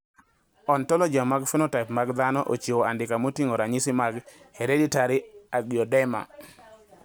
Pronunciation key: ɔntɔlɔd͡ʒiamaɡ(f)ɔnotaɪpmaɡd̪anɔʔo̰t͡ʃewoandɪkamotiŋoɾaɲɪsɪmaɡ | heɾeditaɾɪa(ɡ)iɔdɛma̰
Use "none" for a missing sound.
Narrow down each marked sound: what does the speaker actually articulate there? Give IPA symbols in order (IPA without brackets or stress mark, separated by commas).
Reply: f, ɡ